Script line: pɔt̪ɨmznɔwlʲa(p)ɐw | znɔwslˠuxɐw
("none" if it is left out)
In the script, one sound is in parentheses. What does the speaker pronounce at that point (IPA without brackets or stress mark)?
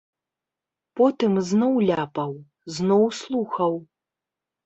p